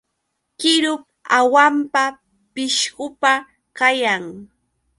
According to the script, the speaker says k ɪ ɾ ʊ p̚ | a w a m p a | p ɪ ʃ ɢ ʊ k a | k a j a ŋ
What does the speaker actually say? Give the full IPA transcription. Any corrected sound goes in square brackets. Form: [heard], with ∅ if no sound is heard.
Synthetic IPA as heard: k ɪ ɾ ʊ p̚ | a w a m p a | p ɪ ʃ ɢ ʊ [p] a | k a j a ŋ